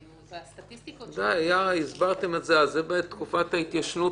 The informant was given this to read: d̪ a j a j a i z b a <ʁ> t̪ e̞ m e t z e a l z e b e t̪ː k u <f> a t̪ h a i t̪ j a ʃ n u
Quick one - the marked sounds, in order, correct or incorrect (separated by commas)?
correct, correct